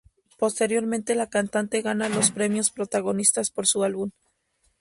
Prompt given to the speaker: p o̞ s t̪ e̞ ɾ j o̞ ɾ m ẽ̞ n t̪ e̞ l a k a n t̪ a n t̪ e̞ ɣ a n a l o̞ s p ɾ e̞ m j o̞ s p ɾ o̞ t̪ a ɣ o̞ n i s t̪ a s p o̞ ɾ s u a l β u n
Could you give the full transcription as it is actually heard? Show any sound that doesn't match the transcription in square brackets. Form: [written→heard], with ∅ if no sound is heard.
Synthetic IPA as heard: p o̞ s t̪ e̞ ɾ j o̞ ɾ m ẽ̞ n t̪ e̞ l a k a n t̪ a n t̪ e̞ ɣ a n a l o̞ s p ɾ e̞ m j o̞ s p ɾ o̞ t̪ a ɣ o̞ n i s t̪ a s p o̞ ɾ s u a l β u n